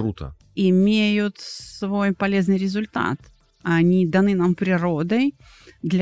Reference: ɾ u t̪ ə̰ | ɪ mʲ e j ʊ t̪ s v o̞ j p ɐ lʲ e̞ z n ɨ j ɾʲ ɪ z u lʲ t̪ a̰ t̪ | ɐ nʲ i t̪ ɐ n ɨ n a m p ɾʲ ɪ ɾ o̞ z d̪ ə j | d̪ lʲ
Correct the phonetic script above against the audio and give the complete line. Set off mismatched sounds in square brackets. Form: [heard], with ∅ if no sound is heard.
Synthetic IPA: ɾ u t̪ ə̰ | ɪ mʲ e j ʊ t̪ s v o̞ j p ɐ lʲ e̞ z n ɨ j ɾʲ ɪ z [ʊ] lʲ t̪ a̰ t̪ | ɐ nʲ i [d̪] ɐ n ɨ n a m p ɾʲ ɪ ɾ o̞ [∅] d̪ ə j | d̪ lʲ